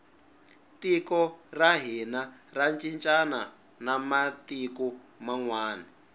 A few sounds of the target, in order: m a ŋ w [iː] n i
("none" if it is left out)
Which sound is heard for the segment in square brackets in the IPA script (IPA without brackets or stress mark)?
aː